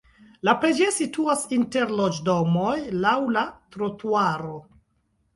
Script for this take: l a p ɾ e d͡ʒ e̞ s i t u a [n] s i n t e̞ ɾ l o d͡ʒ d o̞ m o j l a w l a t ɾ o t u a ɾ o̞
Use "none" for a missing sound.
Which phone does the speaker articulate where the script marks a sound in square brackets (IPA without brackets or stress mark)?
none